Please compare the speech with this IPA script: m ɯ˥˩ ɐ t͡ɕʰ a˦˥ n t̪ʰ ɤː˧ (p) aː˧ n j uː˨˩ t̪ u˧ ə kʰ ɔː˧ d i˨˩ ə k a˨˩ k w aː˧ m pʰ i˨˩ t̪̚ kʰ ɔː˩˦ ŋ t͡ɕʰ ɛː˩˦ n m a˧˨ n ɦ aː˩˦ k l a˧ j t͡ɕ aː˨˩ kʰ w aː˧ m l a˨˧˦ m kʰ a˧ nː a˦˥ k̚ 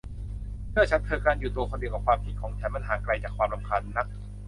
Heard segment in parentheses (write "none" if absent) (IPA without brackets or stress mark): k